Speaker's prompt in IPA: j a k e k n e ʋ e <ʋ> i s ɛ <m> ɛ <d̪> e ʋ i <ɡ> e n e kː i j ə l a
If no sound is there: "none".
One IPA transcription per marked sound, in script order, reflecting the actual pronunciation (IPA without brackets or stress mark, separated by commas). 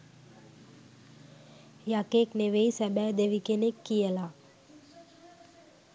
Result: none, b, d̪, k